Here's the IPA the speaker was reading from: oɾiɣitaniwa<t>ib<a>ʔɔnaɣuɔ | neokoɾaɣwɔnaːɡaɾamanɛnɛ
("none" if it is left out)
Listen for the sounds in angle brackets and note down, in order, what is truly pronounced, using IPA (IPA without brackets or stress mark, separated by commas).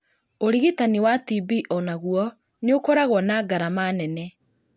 t, i